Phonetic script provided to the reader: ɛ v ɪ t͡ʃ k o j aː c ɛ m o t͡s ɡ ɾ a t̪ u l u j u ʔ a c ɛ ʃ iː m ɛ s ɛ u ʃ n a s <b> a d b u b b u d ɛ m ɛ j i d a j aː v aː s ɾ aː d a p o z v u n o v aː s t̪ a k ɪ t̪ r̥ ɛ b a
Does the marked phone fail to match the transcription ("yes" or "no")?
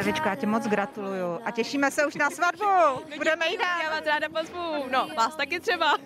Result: yes